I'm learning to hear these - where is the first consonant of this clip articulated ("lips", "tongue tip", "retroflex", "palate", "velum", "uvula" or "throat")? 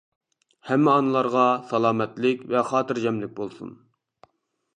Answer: throat